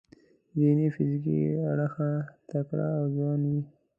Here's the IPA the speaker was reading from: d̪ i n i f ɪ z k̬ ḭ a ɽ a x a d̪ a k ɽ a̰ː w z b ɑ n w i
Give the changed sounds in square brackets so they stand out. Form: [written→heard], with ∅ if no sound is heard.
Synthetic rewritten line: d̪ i n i f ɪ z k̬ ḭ a ɽ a x a [d̪→t̪] a k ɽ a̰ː w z [b→w] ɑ n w i